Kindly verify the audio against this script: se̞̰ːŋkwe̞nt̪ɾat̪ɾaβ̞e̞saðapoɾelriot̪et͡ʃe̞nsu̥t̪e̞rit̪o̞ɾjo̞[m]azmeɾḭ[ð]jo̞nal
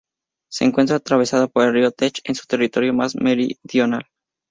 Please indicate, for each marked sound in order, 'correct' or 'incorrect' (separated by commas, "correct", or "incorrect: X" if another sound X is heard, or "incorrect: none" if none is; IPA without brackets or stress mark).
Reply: correct, correct